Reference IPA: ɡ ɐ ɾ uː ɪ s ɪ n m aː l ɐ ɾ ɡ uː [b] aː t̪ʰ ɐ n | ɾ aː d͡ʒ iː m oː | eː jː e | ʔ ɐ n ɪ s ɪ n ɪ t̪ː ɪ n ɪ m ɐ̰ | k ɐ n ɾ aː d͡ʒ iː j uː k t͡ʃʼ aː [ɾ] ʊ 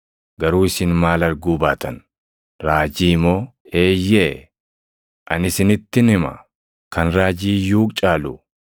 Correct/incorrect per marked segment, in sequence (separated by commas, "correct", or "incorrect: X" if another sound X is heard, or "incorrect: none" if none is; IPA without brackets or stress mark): correct, incorrect: l